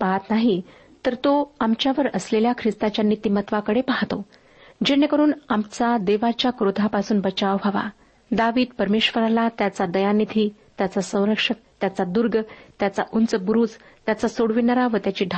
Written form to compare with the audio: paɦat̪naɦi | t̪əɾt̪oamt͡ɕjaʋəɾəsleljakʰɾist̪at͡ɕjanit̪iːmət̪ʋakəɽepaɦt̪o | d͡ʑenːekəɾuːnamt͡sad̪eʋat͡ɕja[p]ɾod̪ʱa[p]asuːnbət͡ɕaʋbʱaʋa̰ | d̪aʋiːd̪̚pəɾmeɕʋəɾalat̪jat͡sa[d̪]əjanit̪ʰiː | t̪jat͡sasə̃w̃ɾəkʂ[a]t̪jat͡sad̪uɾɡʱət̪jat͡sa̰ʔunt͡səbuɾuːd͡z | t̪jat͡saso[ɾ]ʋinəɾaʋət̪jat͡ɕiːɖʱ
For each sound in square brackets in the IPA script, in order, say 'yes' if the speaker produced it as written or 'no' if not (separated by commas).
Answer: no, yes, yes, no, no